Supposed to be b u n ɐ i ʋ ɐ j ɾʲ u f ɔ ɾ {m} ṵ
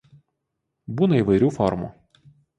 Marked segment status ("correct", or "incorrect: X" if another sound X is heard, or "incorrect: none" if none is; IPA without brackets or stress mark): correct